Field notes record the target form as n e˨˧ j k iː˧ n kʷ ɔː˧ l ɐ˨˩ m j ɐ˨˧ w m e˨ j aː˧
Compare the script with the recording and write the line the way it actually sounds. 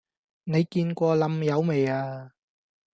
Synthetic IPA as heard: n e˨˧ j k iː˧ n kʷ ɔː˧ l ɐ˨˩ m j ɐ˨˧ w m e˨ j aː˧